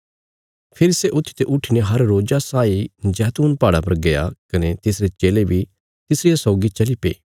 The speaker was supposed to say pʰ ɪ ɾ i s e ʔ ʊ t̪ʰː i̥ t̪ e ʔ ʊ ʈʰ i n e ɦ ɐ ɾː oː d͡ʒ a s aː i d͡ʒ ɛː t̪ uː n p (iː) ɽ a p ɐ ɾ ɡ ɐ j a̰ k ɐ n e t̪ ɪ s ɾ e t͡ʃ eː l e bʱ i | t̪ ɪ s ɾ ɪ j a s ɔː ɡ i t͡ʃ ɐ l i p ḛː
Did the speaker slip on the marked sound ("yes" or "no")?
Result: yes